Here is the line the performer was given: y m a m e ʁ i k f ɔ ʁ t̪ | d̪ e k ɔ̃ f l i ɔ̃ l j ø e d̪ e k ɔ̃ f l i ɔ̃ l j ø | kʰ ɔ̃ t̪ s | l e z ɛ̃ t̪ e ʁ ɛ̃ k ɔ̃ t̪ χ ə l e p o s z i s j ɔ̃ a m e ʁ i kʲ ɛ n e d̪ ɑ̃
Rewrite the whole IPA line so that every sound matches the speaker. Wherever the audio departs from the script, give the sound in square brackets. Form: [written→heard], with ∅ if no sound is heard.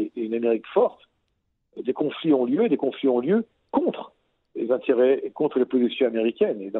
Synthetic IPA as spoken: y [m→n] a m e ʁ i k f ɔ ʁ t̪ | d̪ e k ɔ̃ f l i ɔ̃ l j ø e d̪ e k ɔ̃ f l i ɔ̃ l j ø | [kʰ→k] ɔ̃ t̪ [s→χ] | l e z ɛ̃ t̪ e ʁ [ɛ̃→ɛ] k ɔ̃ t̪ χ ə l e p o [s→∅] z i s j ɔ̃ a m e ʁ i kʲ ɛ n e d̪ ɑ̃